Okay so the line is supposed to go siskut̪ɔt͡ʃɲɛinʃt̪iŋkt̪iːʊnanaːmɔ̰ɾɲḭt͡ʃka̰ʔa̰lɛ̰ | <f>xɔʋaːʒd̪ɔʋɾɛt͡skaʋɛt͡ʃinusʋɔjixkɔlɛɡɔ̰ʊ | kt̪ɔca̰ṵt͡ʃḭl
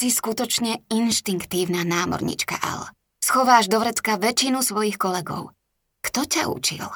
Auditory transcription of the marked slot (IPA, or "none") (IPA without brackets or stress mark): s